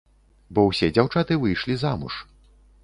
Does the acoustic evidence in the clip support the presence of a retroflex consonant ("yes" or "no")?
yes